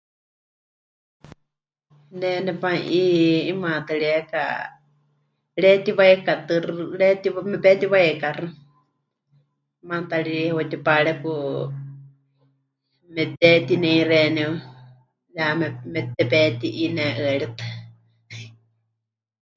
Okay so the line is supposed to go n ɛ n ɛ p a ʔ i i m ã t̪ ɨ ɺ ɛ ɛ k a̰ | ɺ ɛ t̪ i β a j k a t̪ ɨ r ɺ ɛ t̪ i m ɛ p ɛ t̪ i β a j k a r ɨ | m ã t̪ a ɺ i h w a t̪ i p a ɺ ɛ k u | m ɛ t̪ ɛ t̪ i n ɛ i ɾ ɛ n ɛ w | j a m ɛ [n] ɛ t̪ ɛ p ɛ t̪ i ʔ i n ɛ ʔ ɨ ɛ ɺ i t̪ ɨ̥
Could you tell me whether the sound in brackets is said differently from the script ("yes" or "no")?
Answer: yes